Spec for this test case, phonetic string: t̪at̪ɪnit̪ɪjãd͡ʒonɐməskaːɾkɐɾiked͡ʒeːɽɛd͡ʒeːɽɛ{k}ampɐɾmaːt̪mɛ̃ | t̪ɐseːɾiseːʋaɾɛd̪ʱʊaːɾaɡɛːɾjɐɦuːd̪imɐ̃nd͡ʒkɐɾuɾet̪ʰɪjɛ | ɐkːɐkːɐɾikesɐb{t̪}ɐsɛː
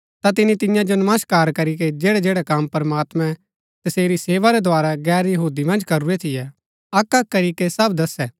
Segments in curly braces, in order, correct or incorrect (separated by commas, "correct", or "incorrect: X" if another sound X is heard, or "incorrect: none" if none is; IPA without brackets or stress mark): correct, incorrect: d̪